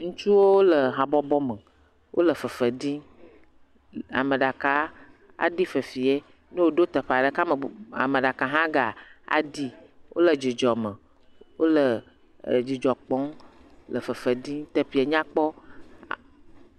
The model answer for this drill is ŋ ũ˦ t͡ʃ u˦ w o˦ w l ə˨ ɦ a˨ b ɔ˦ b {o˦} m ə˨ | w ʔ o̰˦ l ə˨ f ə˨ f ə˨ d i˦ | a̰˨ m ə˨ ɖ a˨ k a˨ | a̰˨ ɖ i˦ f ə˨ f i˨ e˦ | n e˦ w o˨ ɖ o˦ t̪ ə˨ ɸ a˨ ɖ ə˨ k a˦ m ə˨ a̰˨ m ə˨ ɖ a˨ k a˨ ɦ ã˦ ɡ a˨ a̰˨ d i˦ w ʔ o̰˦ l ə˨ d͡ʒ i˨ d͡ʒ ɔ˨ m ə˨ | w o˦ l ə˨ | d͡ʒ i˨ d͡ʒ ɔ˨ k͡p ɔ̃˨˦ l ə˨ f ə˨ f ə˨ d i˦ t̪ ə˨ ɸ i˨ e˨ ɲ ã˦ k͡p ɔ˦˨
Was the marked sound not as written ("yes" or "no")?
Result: yes